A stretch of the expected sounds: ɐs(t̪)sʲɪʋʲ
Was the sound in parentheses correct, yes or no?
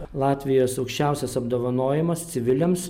yes